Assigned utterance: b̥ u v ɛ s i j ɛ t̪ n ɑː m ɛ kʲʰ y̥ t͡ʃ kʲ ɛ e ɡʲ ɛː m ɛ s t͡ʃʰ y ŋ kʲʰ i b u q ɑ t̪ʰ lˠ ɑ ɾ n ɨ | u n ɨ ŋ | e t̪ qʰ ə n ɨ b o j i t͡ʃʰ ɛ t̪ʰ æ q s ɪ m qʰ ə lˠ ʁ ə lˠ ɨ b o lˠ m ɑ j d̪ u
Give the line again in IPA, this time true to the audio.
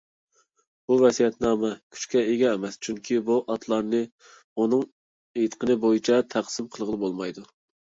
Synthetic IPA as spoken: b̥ u v ɛ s i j ɛ t̪ n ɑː m ɛ kʲʰ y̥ t͡ʃ kʲ ɛ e ɡʲ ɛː m ɛ s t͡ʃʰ y ŋ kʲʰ i b u ʔ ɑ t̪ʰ lˠ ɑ ɾ n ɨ | u n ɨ ŋ | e t̪ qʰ ə n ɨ b o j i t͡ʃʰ ɛ t̪ʰ æ q s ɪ m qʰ ə lˠ ʁ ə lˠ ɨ b o lˠ m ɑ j d̪ u